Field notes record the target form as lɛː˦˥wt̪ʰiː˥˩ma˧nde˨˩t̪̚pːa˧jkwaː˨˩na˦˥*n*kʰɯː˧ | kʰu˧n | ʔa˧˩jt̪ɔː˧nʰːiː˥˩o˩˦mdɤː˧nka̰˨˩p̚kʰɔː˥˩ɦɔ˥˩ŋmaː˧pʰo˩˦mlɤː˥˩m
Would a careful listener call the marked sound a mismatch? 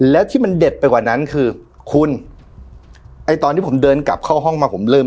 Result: no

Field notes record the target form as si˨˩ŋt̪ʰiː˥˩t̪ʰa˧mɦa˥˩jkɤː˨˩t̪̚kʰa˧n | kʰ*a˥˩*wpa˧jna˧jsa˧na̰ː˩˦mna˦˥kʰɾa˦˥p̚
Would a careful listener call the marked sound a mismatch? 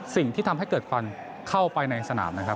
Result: no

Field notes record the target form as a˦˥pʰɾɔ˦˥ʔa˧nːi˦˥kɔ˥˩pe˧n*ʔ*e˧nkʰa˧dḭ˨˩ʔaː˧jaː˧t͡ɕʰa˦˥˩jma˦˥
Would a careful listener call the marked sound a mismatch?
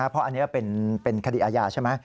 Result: yes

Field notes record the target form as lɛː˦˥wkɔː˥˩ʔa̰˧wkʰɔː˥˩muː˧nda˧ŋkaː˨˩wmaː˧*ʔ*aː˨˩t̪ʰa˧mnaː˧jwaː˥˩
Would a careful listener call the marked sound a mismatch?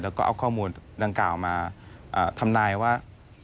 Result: no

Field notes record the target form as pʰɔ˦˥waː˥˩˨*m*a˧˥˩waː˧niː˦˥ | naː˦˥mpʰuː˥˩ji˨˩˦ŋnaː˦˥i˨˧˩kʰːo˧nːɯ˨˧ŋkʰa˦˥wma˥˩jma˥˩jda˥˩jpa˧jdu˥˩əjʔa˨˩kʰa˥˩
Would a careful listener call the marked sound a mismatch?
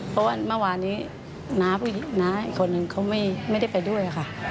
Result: no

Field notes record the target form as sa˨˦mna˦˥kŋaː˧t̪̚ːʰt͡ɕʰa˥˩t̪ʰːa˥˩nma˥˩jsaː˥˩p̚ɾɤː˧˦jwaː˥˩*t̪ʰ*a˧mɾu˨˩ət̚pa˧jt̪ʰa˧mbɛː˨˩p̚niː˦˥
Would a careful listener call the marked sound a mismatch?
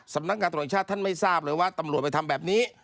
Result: yes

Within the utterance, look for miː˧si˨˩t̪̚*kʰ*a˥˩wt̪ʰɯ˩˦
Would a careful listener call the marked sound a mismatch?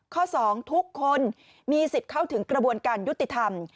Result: no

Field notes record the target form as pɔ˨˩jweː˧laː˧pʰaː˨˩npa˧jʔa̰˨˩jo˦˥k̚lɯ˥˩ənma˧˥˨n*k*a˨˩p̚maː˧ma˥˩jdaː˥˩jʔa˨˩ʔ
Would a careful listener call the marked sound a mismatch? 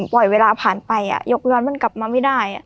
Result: no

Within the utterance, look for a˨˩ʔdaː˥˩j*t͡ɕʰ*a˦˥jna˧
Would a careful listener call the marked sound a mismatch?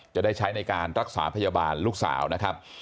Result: no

